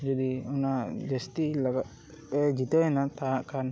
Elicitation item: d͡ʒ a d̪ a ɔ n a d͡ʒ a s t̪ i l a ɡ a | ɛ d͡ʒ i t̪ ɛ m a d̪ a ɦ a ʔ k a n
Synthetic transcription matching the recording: d͡ʒ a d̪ i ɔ n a d͡ʒ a s t̪ i l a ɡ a | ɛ d͡ʒ i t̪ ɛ n a t̪ a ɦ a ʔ k a n